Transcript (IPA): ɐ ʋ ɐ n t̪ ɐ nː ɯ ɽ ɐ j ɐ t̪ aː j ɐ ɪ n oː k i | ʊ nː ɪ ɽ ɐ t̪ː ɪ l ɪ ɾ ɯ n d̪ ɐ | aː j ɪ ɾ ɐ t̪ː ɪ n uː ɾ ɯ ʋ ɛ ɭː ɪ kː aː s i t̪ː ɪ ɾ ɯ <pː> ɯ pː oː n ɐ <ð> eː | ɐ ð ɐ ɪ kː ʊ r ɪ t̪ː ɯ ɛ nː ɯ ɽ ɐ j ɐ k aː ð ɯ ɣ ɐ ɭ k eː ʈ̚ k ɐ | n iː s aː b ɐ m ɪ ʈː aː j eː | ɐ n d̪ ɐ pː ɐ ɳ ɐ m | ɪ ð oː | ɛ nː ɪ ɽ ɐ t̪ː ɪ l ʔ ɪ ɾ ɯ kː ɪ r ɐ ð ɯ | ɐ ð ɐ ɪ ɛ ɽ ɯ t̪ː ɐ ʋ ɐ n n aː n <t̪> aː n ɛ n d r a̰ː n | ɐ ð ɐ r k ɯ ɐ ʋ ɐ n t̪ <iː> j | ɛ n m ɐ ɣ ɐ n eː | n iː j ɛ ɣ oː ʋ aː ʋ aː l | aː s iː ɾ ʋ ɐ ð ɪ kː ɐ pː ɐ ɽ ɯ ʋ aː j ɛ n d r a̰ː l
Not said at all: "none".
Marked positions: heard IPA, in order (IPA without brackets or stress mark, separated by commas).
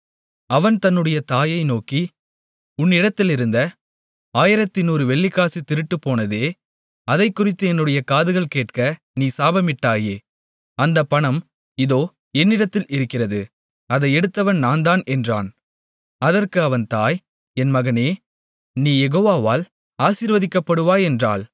ʈː, ð, d̪, aː